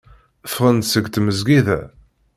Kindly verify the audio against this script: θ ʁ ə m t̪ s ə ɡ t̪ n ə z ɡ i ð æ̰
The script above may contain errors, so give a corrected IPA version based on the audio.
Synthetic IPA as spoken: f ʁ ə n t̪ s ə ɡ t̪ m ə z ɡ i ð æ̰